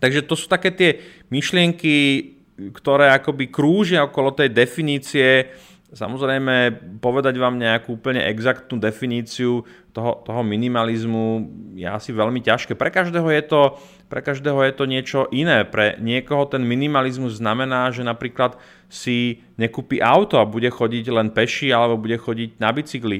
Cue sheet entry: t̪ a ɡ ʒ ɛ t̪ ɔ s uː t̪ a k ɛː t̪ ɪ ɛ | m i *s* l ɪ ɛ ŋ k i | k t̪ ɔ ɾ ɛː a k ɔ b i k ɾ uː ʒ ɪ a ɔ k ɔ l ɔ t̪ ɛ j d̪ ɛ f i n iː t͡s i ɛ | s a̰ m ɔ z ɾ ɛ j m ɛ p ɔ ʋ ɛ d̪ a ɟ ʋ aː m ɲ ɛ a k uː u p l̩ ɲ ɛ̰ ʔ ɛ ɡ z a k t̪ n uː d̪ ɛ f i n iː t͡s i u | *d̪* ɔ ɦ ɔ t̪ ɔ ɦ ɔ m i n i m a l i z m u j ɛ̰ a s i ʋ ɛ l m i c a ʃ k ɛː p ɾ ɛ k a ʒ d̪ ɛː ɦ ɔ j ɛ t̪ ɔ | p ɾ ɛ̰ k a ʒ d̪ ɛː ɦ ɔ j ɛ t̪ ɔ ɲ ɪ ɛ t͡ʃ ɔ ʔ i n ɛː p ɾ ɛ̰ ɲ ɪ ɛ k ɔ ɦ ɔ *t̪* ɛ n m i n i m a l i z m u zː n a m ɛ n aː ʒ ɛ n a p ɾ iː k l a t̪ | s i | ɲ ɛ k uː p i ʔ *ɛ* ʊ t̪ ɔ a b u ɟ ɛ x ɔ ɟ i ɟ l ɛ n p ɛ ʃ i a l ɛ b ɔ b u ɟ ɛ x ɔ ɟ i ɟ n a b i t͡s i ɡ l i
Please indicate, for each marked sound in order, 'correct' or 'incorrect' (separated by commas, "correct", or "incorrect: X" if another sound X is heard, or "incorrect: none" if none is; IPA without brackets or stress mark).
incorrect: ʃ, incorrect: t̪, correct, incorrect: a